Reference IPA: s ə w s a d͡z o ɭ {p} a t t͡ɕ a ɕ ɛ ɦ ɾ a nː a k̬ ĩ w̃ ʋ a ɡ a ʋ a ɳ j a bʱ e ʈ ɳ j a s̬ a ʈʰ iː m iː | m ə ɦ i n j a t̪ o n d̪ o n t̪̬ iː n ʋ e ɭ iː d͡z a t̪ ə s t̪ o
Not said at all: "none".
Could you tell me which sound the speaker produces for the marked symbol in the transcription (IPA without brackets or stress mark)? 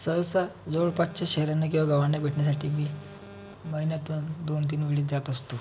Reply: p